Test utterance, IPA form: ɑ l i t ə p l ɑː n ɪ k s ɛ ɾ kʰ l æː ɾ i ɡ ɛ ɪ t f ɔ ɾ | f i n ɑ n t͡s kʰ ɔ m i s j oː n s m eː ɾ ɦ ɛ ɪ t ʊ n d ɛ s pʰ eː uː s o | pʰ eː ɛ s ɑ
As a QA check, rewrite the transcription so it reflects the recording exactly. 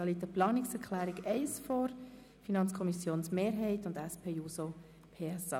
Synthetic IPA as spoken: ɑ l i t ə p l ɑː n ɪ k s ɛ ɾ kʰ l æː ɾ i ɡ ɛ ɪ s f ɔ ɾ | f i n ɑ n t͡s kʰ ɔ m i s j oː n s m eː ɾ ɦ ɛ ɪ t ʊ n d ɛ s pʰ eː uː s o | pʰ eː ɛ s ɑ